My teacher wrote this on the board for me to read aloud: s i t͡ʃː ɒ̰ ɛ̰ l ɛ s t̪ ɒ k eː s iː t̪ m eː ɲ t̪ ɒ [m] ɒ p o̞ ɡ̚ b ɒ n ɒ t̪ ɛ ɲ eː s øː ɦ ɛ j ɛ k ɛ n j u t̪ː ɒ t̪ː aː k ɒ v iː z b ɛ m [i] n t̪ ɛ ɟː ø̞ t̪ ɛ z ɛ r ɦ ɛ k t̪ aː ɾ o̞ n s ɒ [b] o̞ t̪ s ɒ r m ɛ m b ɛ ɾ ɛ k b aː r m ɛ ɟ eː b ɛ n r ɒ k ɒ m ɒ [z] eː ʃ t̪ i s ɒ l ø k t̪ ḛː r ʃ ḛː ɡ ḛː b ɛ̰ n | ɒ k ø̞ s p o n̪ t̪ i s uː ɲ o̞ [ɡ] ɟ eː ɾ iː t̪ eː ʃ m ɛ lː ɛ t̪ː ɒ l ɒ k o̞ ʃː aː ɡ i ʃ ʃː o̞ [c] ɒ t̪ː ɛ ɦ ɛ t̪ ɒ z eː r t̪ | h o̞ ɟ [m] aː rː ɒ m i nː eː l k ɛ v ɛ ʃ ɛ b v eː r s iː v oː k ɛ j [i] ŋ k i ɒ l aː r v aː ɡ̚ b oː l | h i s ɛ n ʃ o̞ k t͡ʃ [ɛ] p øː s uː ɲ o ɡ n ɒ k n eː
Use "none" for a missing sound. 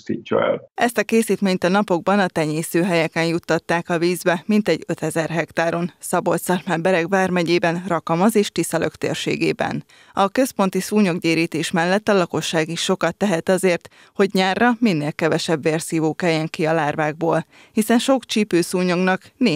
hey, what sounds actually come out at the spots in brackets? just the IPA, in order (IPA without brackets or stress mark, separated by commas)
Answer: n, i, b, z, ɡ, k, ɲ, ɛ, i